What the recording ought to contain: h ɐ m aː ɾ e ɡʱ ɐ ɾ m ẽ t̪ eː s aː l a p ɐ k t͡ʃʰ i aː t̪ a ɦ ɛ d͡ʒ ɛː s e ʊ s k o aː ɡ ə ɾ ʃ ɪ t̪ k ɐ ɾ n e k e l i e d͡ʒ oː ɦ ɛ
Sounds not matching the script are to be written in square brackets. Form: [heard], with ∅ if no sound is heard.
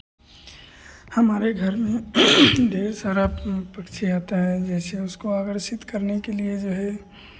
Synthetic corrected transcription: h ɐ m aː ɾ e ɡʱ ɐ ɾ m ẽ [d̪] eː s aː [ɾ] a p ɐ k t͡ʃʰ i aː t̪ a ɦ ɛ d͡ʒ ɛː s e ʊ s k o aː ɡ ə ɾ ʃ ɪ t̪ k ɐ ɾ n e k e l i e d͡ʒ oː ɦ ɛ